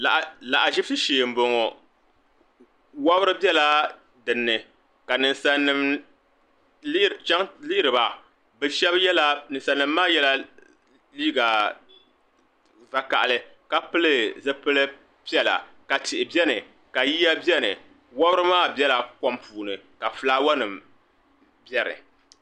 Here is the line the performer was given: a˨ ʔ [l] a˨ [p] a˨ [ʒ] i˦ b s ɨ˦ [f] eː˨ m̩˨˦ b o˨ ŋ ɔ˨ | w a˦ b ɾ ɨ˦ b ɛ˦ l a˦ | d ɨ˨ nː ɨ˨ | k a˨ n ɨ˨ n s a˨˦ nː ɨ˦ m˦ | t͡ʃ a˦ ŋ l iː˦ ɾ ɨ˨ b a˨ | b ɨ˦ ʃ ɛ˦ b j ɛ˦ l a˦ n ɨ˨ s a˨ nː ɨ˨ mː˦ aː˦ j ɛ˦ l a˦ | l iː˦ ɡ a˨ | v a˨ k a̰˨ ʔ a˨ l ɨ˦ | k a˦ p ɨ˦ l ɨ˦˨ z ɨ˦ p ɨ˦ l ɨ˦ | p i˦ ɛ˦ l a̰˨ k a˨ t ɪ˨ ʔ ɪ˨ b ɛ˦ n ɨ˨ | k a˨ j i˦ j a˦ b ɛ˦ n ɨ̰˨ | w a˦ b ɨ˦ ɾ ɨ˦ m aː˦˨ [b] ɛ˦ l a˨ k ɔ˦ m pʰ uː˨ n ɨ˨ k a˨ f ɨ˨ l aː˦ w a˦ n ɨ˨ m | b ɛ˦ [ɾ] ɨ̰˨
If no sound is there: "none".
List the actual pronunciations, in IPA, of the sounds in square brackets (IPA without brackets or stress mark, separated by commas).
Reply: l, ʔ, ʒ, ʃ, b, ɾ